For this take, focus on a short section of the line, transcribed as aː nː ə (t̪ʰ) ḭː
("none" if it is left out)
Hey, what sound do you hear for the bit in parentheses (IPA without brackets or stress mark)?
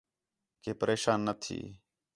t̪ʰ